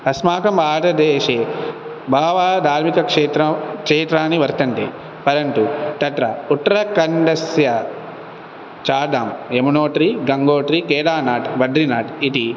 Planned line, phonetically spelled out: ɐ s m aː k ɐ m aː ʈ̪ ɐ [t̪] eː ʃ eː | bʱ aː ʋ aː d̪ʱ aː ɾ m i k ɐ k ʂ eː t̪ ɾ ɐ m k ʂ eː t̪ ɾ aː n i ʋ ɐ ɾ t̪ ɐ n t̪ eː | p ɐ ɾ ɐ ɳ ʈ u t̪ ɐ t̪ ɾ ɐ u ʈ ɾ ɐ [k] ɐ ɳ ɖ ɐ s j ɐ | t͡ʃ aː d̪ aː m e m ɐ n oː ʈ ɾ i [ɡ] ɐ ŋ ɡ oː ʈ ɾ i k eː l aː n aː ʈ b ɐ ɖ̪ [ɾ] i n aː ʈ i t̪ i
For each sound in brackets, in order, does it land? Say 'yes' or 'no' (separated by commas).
no, yes, yes, yes